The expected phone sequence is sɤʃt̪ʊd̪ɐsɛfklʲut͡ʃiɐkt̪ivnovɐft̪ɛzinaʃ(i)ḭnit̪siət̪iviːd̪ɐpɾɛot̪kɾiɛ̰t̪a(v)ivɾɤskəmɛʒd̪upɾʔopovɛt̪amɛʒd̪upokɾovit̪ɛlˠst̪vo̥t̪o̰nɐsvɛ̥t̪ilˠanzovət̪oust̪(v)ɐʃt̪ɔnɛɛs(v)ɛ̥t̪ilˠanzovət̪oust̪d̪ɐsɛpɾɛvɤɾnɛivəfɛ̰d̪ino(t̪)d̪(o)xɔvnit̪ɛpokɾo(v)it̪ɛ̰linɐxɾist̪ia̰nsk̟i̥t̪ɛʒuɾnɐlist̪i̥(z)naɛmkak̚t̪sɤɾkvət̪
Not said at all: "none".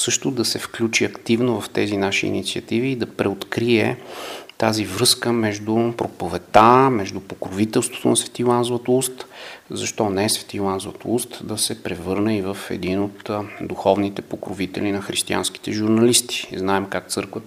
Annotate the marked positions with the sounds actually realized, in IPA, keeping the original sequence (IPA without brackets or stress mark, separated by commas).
i, z, z, v, t̪, u, v, z